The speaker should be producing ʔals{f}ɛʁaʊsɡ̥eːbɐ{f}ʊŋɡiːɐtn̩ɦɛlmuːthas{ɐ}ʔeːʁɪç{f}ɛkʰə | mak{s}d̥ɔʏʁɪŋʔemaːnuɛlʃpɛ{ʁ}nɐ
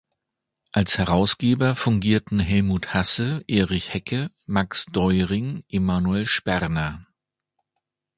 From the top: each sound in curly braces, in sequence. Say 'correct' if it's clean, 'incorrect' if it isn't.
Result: incorrect, correct, incorrect, incorrect, correct, correct

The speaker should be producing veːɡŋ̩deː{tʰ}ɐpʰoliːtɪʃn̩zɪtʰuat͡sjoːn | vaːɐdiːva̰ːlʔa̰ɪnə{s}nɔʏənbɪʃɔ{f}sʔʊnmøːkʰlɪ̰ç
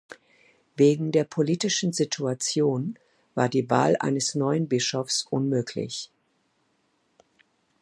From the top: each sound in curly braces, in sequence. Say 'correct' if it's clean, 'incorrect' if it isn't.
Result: incorrect, correct, correct

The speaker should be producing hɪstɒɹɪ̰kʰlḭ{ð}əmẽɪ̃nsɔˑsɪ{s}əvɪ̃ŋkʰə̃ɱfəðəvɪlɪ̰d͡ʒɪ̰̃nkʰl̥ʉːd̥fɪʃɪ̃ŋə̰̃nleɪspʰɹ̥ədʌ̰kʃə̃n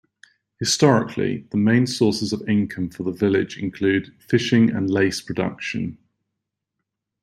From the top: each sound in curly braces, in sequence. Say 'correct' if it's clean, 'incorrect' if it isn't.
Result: correct, incorrect

